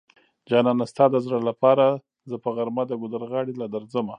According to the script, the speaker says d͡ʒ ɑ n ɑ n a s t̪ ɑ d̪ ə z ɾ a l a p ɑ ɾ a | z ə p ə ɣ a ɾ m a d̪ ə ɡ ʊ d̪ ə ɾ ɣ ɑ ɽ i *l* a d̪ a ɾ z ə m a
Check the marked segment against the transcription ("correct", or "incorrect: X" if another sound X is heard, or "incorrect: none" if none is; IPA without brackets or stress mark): correct